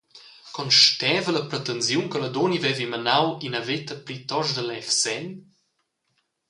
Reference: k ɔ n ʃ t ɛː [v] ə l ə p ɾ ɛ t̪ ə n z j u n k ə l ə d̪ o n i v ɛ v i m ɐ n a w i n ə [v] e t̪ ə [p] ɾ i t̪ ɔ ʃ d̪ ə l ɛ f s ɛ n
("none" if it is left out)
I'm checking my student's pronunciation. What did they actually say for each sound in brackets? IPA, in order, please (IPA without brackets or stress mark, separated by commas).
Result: v, v, p